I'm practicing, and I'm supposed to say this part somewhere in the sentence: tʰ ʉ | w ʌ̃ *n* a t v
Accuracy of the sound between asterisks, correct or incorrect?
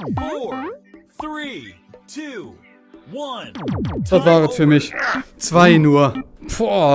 correct